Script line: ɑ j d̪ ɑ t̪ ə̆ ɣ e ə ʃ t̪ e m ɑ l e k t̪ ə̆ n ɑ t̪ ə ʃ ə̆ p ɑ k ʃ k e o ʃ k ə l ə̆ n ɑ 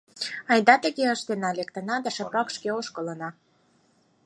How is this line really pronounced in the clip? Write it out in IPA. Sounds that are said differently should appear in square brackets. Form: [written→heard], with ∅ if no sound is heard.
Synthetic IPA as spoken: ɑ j d̪ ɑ t̪ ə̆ ɣ e ə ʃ t̪ e [m→n] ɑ l e k t̪ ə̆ n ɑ [t̪→d̪] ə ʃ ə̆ p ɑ k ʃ k e o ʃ k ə l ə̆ n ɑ